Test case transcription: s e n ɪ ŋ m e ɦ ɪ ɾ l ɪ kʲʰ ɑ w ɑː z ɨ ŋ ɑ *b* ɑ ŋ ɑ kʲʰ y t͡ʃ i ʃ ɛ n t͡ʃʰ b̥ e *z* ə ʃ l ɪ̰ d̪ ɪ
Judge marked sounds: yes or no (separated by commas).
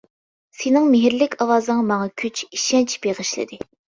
no, no